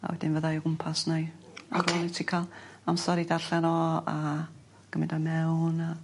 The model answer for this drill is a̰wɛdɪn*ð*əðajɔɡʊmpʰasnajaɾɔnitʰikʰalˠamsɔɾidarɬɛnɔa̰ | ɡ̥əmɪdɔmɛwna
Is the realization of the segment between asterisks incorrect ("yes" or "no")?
yes